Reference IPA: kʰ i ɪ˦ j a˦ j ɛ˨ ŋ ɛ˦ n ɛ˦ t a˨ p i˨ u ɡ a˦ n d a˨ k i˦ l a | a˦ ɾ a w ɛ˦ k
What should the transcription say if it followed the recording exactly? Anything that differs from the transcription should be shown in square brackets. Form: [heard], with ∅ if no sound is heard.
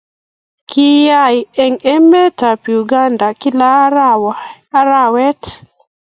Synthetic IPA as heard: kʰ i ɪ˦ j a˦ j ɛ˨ ŋ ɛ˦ [m] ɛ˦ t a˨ p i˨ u ɡ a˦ n d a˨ k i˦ l a | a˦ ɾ a w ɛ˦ [t]